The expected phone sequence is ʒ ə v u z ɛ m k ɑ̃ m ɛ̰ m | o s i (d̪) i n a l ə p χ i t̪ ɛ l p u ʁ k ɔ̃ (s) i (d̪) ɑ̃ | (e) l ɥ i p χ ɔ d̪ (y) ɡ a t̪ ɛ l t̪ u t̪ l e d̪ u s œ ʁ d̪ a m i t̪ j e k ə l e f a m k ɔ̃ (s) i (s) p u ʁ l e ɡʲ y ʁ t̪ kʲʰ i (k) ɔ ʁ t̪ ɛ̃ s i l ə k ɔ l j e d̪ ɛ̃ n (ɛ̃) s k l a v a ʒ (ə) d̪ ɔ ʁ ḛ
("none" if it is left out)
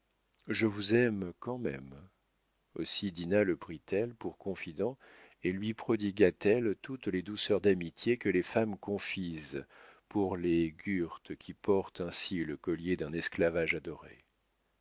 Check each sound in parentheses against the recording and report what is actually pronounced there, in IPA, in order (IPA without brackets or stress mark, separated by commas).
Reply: d̪, f, d̪, e, i, f, z, p, ɛ, a